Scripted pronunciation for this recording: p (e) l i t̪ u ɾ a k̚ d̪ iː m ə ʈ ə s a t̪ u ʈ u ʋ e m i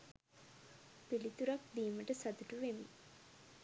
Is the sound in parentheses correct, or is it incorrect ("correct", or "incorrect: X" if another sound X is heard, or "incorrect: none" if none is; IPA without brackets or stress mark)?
incorrect: i